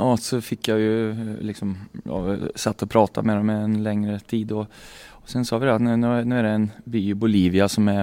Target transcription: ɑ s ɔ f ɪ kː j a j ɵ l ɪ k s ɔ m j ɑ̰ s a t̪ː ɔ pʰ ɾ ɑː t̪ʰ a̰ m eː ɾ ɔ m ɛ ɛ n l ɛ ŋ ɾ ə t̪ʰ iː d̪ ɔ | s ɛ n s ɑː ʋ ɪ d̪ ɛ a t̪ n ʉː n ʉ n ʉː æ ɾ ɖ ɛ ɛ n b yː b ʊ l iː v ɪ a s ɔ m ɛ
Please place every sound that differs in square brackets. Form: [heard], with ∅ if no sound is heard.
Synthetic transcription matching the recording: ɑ s ɔ f ɪ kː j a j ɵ l ɪ k s ɔ m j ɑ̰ s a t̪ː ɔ pʰ ɾ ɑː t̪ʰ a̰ m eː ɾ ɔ m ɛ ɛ n l ɛ ŋ ɾ ə t̪ʰ iː d̪ ɔ | s ɛ n s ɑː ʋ ɪ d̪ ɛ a t̪ n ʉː n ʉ n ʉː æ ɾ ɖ ɛ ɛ n b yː b ʊ l iː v ɪ a s ɔ m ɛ